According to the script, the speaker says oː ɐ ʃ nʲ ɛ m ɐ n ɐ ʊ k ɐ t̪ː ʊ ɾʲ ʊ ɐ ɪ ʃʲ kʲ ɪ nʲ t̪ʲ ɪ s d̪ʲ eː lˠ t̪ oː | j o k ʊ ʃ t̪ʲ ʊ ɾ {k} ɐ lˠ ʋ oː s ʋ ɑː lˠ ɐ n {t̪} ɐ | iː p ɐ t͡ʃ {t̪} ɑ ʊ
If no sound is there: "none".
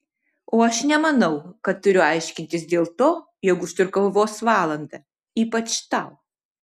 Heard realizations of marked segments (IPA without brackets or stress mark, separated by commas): k, d̪, t̪